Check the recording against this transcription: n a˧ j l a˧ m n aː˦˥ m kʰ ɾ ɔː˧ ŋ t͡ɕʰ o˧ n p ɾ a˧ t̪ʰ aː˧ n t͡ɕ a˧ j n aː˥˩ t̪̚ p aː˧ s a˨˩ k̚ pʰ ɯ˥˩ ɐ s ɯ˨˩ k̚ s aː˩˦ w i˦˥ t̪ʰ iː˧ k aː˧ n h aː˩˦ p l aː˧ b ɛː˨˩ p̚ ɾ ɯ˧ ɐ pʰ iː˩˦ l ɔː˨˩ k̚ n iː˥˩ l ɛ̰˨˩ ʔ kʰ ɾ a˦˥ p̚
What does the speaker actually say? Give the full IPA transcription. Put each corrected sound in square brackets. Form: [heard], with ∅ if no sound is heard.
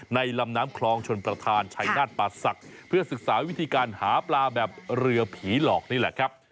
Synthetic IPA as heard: n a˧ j l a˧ m n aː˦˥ m kʰ [l] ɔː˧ ŋ t͡ɕʰ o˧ n p ɾ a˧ t̪ʰ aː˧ n [t͡ɕʰ] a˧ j n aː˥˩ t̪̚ p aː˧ s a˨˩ k̚ pʰ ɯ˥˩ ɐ s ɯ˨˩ k̚ s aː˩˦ w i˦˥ t̪ʰ iː˧ k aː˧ n h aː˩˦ p l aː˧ b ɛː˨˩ p̚ ɾ ɯ˧ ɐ pʰ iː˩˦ l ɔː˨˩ k̚ n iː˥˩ l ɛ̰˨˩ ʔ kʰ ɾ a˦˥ p̚